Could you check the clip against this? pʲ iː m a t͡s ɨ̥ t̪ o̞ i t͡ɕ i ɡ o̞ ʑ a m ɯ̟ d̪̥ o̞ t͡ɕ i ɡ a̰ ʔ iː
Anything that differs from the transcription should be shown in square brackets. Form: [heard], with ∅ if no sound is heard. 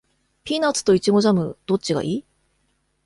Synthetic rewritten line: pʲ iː [n] a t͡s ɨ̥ t̪ o̞ i t͡ɕ i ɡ o̞ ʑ a m ɯ̟ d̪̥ o̞ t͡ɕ i ɡ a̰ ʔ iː